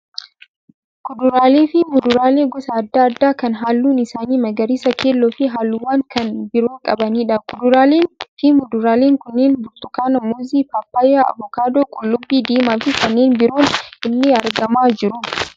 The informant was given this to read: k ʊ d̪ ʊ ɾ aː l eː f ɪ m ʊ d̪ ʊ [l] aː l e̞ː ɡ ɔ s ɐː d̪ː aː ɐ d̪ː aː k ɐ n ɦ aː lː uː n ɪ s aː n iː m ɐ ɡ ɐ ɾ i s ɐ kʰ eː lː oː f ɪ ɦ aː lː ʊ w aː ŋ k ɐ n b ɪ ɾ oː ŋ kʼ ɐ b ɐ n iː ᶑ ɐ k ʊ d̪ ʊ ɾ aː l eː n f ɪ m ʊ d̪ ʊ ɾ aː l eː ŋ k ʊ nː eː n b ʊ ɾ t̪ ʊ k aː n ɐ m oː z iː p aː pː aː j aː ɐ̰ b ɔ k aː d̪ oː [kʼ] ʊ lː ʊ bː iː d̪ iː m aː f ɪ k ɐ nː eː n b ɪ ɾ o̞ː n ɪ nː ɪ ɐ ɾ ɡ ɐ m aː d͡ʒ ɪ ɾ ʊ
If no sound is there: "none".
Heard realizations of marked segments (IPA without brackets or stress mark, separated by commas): ɾ, kʼ